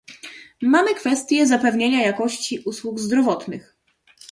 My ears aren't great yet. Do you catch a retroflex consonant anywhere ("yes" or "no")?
no